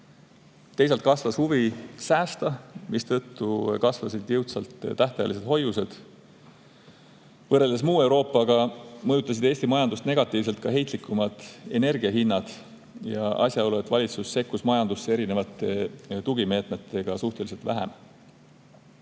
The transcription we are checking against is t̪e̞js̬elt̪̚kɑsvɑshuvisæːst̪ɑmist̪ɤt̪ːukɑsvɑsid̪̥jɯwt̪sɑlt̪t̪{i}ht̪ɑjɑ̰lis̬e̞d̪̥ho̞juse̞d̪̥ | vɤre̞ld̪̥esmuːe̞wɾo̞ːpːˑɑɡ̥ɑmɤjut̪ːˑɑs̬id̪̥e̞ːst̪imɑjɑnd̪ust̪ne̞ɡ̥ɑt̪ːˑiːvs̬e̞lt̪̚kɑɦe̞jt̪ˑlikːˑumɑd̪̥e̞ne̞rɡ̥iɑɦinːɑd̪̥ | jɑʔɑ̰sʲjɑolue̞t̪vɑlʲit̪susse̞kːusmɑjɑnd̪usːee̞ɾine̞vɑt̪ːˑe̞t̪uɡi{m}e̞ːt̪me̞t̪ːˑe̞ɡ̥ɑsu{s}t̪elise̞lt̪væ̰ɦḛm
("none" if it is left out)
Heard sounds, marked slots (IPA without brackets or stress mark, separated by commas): æ, m, h